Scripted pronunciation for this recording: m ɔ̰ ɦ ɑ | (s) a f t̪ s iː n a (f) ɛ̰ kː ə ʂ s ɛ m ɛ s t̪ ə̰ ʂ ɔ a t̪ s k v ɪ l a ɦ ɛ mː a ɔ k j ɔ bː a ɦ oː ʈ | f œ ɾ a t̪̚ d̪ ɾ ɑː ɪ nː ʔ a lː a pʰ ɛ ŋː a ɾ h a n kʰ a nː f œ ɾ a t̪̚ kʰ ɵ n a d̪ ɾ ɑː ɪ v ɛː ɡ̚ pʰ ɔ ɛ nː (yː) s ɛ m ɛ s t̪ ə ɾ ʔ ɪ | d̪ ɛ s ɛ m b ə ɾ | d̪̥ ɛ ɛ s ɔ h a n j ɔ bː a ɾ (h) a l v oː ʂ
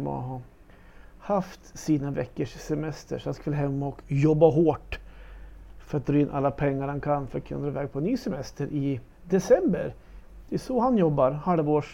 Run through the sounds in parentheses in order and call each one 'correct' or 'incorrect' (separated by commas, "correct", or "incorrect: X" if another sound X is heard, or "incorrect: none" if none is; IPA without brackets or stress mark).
incorrect: h, incorrect: v, correct, correct